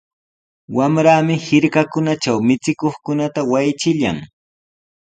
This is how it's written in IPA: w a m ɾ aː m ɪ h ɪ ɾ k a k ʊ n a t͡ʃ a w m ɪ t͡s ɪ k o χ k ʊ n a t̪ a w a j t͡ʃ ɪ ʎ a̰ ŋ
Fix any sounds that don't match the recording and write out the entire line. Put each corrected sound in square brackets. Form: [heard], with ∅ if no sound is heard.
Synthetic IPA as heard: w a m ɾ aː m ɪ h ɪ ɾ k a k ʊ n a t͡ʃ a w m ɪ t͡s ɪ k o χ k ʊ n a t̪ a w a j t͡ʃ ɪ ʎ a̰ ŋ